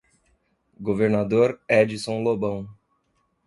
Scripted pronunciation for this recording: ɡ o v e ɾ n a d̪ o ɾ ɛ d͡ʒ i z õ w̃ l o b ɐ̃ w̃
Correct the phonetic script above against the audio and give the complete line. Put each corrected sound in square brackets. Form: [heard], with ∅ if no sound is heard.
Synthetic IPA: ɡ o v e ɾ n a d̪ o ɾ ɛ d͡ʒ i [s] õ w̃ l o b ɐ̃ w̃